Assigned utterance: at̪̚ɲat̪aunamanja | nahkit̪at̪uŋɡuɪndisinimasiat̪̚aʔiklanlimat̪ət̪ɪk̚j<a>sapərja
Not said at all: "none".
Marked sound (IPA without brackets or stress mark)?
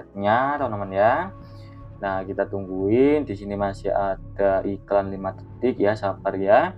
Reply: a